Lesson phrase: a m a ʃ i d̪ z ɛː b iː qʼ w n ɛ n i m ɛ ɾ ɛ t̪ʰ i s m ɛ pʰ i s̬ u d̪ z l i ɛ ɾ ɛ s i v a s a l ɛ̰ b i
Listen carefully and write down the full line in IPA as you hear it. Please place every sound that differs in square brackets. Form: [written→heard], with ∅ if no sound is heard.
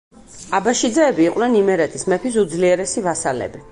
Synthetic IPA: a [m→b] a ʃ i d̪ z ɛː b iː qʼ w n ɛ n i m ɛ ɾ ɛ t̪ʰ i s m ɛ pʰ i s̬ u d̪ z l i ɛ ɾ ɛ s i v a s a l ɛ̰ b i